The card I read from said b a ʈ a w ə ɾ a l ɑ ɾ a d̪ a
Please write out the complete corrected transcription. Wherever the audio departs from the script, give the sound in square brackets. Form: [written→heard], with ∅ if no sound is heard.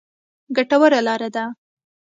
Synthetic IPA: [b→ɡ] a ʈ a w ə ɾ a l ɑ ɾ a d̪ a